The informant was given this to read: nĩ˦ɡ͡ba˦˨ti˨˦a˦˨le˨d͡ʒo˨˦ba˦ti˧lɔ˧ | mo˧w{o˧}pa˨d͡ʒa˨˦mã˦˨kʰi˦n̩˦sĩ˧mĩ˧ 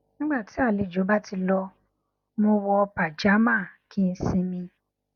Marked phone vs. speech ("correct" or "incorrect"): incorrect